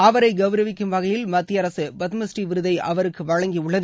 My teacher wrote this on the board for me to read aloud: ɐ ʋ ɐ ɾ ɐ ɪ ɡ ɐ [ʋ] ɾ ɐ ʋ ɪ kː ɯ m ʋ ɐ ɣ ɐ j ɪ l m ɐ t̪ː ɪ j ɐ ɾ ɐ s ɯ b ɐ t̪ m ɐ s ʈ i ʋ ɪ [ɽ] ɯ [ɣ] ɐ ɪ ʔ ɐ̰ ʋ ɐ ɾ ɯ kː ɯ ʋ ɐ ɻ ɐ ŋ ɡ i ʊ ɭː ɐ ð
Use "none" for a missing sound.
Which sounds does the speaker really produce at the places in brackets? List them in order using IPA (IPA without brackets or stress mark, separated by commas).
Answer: ʋ, ɾ, ð